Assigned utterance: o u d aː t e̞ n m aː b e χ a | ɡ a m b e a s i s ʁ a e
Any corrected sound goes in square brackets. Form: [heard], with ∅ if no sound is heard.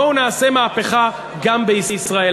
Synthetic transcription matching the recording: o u [n] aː [s] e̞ [∅] m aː [p] e χ a | ɡ a m b e [i] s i s ʁ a e